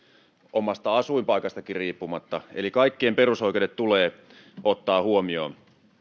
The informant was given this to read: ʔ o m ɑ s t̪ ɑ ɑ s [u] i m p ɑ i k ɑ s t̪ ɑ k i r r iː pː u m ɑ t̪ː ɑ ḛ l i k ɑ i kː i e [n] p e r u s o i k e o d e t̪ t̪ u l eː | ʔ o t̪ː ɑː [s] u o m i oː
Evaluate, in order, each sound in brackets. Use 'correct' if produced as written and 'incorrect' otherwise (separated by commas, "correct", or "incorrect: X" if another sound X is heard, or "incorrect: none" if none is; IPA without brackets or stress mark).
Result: correct, incorrect: m, incorrect: h